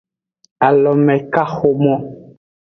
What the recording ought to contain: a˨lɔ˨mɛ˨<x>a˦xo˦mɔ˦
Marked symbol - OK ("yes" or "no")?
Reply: no